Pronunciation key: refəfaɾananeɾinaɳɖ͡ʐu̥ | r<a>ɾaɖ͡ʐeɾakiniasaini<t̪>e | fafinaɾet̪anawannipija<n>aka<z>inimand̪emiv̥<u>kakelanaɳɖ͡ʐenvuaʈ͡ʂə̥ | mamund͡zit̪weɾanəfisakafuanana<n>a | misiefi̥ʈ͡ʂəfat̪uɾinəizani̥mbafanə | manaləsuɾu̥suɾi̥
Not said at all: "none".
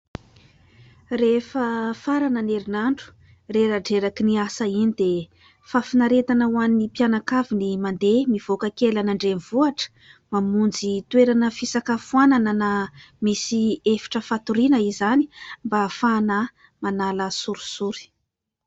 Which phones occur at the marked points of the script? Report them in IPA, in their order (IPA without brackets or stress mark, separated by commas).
e, d̪, n, v, o, n